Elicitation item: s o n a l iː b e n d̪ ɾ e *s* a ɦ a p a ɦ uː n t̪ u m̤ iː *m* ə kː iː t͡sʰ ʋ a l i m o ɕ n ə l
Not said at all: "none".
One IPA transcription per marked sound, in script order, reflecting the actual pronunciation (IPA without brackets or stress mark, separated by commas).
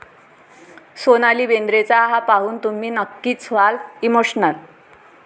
t͡s, n